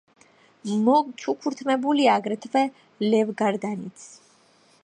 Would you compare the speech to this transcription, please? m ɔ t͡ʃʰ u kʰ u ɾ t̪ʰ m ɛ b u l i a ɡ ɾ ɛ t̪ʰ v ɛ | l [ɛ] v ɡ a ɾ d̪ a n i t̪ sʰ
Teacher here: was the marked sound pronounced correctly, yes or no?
yes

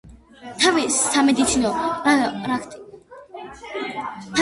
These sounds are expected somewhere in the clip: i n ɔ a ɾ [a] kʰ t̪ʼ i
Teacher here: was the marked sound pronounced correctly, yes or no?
yes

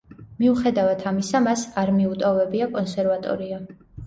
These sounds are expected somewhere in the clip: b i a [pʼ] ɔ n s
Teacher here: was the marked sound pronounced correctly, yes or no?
no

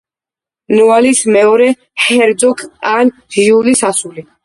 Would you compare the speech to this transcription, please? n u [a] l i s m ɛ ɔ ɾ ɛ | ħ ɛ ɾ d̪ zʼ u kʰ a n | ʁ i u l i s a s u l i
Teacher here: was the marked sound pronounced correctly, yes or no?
yes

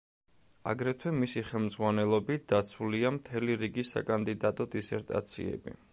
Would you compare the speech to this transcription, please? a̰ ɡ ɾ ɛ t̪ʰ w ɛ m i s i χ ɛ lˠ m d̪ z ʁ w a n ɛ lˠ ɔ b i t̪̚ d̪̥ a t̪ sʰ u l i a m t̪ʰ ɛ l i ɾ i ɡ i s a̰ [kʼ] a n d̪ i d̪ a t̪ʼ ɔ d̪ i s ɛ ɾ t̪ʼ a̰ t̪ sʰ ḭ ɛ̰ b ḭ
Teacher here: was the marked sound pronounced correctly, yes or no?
yes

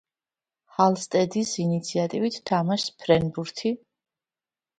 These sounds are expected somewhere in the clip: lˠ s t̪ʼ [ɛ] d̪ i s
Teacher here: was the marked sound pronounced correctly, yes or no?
yes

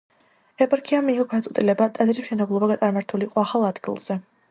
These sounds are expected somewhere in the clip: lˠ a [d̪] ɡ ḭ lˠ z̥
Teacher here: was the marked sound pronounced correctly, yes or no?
yes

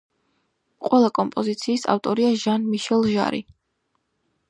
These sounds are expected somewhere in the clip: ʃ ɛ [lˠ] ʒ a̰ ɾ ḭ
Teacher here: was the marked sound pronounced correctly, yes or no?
yes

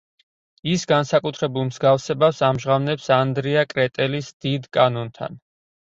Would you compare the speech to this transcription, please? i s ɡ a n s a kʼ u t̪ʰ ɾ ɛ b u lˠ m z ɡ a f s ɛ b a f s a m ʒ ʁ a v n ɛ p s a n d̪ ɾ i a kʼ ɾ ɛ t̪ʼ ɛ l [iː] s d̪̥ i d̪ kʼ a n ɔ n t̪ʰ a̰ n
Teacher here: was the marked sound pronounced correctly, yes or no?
no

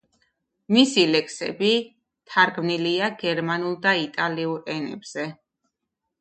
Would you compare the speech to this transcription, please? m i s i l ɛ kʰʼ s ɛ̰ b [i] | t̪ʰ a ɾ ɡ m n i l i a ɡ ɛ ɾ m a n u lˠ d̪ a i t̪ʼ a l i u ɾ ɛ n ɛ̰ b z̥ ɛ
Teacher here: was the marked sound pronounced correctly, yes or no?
yes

